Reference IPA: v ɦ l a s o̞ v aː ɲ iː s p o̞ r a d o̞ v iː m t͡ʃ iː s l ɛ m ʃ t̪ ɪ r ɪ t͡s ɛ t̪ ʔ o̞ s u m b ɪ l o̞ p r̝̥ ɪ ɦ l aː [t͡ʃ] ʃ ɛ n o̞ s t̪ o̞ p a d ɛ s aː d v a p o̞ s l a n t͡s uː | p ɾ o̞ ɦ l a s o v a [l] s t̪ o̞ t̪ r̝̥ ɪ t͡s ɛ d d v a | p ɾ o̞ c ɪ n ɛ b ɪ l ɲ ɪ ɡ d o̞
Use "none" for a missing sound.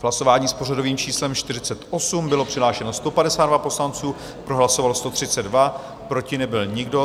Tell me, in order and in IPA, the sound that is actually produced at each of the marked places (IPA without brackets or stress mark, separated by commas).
none, l